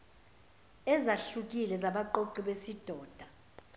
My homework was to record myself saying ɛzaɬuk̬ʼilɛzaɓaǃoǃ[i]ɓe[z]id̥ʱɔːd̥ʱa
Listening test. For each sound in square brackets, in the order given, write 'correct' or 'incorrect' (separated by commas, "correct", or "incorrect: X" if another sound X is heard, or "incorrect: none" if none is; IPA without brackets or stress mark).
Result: correct, incorrect: s